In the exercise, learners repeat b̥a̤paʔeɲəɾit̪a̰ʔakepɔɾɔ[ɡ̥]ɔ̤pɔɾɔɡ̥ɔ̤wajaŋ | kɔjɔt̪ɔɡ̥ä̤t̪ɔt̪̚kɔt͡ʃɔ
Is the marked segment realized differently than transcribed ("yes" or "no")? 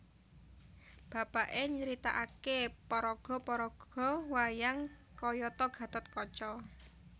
no